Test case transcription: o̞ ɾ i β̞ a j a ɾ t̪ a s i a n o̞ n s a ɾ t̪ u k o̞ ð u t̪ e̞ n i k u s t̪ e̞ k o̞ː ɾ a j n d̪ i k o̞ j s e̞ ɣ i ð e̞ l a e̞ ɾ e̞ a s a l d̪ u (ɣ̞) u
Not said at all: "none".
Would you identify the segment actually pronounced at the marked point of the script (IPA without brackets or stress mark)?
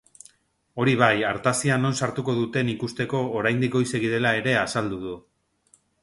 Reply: ð̞